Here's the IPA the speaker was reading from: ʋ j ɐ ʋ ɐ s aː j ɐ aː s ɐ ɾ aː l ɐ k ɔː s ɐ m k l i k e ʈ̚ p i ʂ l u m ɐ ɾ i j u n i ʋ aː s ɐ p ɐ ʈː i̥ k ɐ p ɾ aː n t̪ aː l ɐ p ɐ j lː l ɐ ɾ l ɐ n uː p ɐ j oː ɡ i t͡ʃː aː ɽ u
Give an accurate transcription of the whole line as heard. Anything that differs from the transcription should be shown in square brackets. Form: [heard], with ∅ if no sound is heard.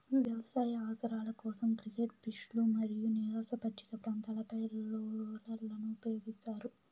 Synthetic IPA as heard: ʋ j ɐ ʋ ɐ s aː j ɐ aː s ɐ ɾ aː l ɐ k ɔː s ɐ m k [ɾ] i k e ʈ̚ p i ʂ l u m ɐ ɾ i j u n i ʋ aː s ɐ p ɐ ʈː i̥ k ɐ p ɾ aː n t̪ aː l ɐ p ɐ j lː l ɐ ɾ l ɐ n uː p ɐ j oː ɡ i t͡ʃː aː [ɾ] u